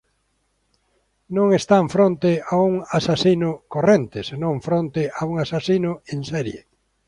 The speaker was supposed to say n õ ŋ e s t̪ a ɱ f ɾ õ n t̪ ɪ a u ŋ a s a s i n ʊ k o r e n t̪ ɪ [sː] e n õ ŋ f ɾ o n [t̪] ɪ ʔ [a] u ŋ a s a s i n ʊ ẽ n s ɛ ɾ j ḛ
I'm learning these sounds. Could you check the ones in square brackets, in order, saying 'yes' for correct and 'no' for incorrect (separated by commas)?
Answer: no, yes, yes